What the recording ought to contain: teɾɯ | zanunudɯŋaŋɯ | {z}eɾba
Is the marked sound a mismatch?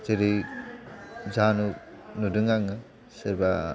yes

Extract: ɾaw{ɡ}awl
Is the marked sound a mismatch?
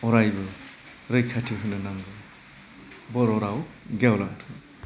no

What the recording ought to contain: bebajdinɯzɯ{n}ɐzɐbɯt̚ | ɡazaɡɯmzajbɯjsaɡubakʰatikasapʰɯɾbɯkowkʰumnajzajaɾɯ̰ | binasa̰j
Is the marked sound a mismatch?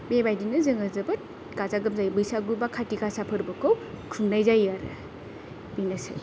yes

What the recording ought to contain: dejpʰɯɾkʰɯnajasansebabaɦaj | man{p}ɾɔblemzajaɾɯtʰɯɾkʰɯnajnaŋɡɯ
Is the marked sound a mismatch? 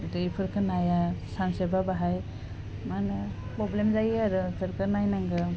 no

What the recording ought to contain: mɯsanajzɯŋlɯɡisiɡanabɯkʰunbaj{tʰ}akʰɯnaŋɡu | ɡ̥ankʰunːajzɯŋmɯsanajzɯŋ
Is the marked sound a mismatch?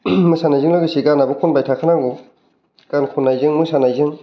no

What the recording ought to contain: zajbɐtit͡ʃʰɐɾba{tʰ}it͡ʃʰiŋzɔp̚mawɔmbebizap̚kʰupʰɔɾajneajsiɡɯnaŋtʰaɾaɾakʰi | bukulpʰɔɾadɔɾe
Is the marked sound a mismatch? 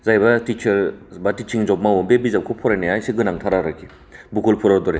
yes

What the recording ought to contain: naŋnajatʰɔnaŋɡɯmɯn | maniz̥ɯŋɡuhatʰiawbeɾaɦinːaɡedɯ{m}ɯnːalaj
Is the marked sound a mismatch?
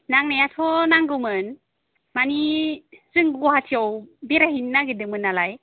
no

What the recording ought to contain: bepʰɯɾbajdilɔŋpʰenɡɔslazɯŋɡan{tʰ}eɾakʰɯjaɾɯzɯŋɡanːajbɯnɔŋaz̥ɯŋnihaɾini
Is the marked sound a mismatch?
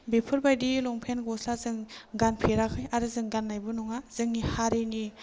yes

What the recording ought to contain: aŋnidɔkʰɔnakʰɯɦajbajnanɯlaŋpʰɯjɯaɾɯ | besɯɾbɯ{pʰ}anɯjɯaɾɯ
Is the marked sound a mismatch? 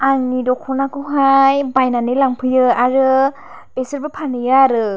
no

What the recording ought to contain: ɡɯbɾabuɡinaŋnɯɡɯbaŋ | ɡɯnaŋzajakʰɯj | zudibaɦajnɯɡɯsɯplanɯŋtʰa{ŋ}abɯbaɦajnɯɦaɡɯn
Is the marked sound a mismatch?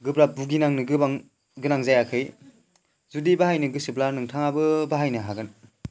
no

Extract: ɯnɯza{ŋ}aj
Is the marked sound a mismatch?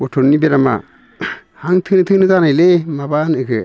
yes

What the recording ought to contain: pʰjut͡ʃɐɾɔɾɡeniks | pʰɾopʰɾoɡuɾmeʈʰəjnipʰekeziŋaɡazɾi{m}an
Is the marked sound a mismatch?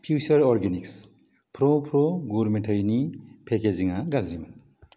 no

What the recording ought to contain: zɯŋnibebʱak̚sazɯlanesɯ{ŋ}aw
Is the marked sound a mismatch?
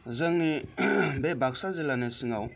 no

